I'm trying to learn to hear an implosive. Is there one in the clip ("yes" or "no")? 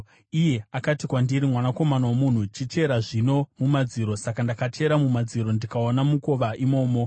no